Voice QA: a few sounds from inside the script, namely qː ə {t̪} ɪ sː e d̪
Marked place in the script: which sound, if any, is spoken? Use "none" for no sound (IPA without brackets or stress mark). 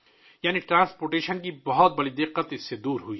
t̪